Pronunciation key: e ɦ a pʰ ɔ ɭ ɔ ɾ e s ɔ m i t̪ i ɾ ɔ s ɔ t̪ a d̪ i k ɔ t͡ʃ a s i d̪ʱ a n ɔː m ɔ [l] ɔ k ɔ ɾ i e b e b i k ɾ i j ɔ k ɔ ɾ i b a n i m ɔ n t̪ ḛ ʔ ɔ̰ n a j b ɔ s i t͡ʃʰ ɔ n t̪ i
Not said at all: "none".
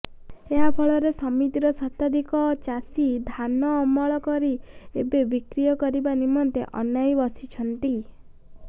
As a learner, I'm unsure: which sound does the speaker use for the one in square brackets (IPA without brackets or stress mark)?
ɭ